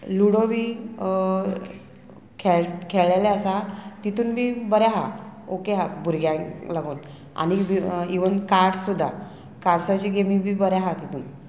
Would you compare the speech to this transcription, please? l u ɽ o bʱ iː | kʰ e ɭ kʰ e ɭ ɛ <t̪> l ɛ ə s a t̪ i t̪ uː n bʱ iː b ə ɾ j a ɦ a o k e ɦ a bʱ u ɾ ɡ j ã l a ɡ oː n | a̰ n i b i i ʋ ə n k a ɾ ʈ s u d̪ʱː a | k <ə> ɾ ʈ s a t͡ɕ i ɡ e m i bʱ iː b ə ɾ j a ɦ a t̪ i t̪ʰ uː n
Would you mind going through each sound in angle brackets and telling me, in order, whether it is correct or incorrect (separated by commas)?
incorrect, incorrect